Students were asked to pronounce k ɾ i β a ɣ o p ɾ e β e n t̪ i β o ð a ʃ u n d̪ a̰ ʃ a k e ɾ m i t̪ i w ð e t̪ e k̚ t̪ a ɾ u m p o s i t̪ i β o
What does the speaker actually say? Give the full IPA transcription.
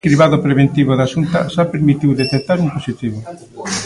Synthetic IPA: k ɾ i β a ð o p ɾ e β e n t̪ i β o ð a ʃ u n t̪ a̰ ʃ a p e ɾ m i t̪ i w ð e t̪ e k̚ t̪ a ɾ u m p o s i t̪ i β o